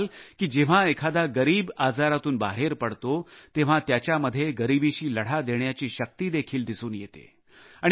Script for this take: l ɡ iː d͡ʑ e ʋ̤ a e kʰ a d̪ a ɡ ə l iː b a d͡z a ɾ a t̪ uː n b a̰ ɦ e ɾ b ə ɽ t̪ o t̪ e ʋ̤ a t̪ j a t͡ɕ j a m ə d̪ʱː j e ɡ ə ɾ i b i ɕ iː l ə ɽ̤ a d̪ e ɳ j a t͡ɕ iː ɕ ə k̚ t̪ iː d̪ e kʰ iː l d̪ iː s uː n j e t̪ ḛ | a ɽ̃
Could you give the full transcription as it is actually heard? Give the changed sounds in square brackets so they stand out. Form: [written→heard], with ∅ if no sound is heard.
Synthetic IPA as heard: l [ɡ→k] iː d͡ʑ e ʋ̤ a e kʰ a d̪ a ɡ ə [l→ɾ] iː b a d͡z a ɾ a t̪ uː n b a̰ ɦ e ɾ [b→p] ə ɽ t̪ o t̪ e ʋ̤ a t̪ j a t͡ɕ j a m ə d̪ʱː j e ɡ ə ɾ i b i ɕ iː l ə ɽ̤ a d̪ e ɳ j a t͡ɕ iː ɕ ə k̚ t̪ iː d̪ e kʰ iː l d̪ [iː→i] s uː n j e t̪ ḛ | a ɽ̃